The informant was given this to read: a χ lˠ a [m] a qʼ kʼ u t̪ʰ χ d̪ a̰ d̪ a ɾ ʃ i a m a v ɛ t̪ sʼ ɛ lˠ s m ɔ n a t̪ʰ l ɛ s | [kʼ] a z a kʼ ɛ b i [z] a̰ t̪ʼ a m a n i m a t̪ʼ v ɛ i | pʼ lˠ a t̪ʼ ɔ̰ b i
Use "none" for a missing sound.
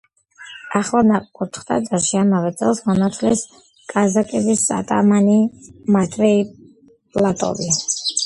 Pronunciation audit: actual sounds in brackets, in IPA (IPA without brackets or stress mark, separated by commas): n, kʼ, s